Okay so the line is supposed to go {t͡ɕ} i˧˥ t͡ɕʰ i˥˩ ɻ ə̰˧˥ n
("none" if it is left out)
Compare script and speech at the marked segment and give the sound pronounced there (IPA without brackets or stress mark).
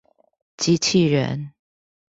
t͡ɕ